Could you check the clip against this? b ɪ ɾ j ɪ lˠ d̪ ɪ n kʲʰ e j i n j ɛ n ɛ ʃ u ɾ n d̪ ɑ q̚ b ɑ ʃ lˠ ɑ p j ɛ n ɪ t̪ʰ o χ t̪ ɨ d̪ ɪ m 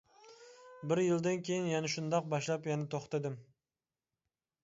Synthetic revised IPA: b ɪ ɾ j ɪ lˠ d̪ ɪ n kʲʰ e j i n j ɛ n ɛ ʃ u n d̪ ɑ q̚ b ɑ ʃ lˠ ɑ p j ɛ n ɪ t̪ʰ o χ t̪ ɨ d̪ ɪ m